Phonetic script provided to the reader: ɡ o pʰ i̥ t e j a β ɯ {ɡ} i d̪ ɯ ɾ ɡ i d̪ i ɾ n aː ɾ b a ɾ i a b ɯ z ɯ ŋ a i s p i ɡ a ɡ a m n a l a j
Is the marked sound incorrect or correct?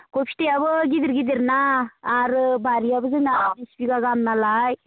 correct